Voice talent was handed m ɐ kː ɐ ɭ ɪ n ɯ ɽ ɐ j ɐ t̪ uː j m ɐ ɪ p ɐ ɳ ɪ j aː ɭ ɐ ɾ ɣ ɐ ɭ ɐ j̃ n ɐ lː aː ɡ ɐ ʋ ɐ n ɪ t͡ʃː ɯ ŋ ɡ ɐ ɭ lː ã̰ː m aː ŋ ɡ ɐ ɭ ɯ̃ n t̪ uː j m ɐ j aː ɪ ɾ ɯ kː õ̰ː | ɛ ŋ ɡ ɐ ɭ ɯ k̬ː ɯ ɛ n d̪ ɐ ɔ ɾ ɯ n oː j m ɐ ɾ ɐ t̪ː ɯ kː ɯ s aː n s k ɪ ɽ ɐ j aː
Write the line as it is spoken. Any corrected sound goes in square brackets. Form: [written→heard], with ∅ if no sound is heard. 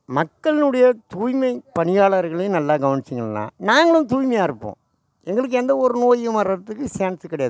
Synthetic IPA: m ɐ kː ɐ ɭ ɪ n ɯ ɽ ɐ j ɐ t̪ uː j m ɐ ɪ p ɐ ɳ ɪ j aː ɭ ɐ ɾ ɣ ɐ ɭ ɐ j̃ n ɐ lː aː ɡ ɐ ʋ ɐ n ɪ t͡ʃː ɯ ŋ ɡ ɐ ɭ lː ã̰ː [m→n] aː ŋ ɡ ɐ ɭ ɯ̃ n t̪ uː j m ɐ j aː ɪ ɾ ɯ [kː→pː] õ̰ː | ɛ ŋ ɡ ɐ ɭ ɯ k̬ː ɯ ɛ n d̪ ɐ ɔ ɾ ɯ n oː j m ɐ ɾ ɐ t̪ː ɯ kː ɯ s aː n s k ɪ ɽ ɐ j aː